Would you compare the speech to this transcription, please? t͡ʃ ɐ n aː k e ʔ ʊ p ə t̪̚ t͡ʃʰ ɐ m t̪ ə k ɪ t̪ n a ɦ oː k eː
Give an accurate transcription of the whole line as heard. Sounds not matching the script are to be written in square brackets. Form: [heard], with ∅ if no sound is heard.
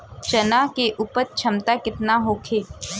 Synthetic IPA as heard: t͡ʃ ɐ n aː k e ʔ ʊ p ə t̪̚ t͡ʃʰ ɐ m t̪ [a] k ɪ t̪ n a ɦ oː [kʰ] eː